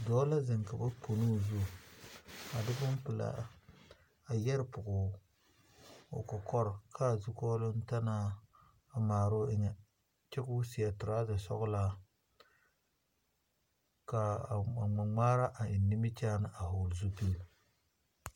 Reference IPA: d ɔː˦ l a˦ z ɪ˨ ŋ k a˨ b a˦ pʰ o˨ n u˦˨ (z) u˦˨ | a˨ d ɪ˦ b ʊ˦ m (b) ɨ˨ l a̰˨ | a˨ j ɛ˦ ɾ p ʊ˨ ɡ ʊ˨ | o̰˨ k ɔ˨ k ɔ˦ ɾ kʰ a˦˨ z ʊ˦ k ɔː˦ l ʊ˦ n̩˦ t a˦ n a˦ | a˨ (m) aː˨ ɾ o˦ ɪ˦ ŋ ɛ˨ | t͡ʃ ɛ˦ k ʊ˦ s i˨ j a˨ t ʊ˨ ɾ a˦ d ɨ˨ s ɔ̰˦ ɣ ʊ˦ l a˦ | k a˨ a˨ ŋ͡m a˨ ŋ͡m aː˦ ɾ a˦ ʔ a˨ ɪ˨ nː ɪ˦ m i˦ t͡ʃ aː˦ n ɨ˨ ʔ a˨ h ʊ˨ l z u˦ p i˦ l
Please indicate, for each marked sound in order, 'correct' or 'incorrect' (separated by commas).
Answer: correct, incorrect, correct